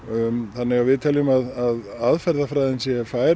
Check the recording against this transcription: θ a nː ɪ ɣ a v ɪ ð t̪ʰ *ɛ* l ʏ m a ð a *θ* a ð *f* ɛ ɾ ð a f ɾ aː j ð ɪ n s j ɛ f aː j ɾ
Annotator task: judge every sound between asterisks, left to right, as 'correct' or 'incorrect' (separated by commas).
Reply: correct, incorrect, correct